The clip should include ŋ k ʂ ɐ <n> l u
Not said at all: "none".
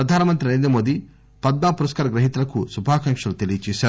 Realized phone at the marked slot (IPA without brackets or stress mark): none